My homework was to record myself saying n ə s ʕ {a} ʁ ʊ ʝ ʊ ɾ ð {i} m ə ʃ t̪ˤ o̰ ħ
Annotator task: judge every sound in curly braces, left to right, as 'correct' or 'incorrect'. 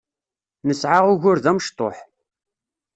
correct, incorrect

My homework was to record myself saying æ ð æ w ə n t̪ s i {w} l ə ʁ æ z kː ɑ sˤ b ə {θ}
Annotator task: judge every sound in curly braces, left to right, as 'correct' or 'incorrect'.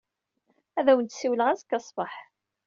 correct, incorrect

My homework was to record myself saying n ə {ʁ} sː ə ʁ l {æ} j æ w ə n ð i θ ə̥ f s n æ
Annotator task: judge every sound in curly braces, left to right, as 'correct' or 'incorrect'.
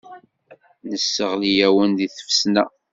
incorrect, incorrect

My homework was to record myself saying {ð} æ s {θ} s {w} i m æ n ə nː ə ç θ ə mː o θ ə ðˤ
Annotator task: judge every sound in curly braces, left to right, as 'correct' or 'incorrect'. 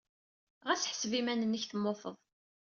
incorrect, incorrect, incorrect

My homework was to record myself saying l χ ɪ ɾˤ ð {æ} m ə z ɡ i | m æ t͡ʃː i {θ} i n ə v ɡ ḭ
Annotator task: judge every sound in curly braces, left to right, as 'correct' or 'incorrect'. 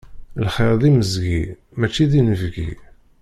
incorrect, incorrect

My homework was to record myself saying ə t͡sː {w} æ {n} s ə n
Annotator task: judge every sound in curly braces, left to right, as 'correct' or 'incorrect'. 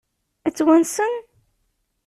correct, correct

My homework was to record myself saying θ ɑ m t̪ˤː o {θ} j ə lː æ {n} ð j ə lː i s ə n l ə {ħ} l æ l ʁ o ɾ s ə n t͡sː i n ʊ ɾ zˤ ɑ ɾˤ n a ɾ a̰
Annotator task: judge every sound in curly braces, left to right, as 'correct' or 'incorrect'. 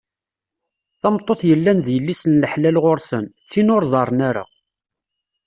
correct, correct, correct

